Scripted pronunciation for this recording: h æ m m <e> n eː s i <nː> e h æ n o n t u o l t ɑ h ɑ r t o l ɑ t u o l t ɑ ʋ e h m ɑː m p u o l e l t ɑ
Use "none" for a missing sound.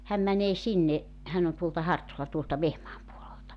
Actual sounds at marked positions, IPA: æ, nː

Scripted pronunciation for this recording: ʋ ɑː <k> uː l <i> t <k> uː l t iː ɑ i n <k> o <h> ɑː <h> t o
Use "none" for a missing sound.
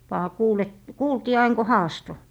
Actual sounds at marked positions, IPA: k, e, k, k, h, s

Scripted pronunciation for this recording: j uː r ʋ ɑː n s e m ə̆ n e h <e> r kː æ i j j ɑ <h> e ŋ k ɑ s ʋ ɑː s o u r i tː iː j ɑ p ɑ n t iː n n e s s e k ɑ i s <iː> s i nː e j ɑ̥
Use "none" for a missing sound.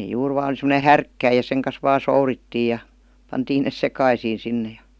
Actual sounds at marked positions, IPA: æ, s, iː

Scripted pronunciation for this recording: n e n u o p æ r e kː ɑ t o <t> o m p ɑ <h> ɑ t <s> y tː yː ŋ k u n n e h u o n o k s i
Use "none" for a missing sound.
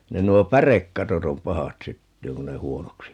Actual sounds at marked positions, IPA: t, h, s

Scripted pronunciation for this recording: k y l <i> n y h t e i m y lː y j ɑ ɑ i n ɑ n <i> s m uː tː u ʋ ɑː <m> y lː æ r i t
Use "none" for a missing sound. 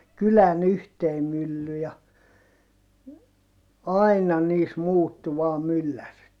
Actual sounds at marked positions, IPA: æ, iː, m

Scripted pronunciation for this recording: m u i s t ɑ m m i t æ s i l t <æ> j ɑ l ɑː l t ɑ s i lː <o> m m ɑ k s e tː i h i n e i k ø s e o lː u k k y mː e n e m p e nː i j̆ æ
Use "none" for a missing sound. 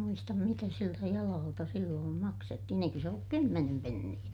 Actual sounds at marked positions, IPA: æ, oː

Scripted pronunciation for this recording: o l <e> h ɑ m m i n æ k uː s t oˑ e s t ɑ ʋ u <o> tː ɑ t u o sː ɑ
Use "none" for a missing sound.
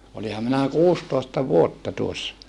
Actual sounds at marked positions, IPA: i, o

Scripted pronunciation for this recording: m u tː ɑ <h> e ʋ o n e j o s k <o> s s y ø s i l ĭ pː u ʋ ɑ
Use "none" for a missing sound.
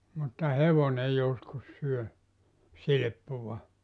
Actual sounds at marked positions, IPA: h, u

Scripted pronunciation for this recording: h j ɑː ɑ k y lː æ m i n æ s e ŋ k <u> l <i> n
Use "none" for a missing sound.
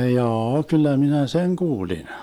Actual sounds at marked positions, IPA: uː, i

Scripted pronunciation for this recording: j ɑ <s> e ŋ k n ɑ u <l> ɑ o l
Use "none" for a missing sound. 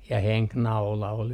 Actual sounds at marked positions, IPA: h, l

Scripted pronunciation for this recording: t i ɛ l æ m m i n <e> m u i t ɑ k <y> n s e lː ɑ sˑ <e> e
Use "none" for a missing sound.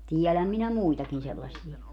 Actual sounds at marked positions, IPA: æ, i, i

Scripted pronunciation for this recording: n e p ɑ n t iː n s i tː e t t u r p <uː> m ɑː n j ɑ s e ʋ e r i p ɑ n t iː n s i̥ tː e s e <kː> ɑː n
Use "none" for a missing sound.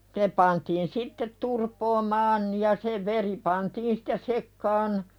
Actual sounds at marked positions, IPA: oː, kː

